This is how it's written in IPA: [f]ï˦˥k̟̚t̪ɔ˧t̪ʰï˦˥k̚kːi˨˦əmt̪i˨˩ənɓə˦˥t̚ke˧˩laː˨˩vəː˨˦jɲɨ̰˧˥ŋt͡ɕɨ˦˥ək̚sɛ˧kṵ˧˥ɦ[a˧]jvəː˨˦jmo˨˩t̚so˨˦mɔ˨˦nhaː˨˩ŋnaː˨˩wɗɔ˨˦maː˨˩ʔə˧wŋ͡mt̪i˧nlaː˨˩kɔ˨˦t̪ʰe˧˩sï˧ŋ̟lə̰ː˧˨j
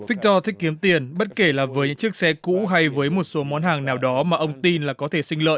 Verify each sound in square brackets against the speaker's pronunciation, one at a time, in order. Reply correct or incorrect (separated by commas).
correct, correct